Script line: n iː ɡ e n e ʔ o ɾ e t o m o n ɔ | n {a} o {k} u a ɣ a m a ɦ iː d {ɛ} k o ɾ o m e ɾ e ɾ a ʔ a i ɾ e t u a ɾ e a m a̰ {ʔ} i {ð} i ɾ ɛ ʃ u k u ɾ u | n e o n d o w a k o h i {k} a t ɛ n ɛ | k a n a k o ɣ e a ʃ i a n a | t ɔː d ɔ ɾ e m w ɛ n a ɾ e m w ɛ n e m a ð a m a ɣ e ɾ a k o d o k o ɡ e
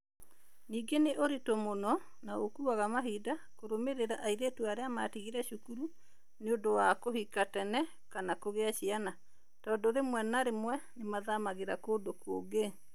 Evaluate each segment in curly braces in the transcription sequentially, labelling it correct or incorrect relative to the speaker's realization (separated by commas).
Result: correct, correct, incorrect, incorrect, incorrect, correct